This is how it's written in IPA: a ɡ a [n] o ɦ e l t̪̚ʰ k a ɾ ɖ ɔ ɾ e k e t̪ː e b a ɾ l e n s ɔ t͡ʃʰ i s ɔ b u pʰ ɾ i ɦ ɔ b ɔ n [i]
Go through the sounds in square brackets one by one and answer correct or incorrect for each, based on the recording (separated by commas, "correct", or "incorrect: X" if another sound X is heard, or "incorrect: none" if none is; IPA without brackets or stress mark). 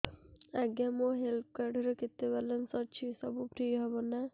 incorrect: m, incorrect: a